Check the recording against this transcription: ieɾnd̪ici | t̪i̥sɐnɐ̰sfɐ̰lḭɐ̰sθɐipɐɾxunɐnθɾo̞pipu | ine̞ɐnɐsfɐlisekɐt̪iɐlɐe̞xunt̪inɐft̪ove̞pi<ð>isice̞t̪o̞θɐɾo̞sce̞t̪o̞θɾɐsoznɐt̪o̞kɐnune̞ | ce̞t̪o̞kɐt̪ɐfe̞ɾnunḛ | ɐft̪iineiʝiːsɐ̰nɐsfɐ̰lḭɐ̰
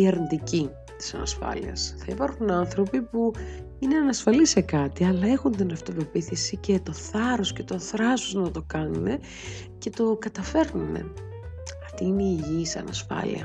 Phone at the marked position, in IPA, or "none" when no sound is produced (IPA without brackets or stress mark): θ